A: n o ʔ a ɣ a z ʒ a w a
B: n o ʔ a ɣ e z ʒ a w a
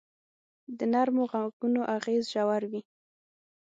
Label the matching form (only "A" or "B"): B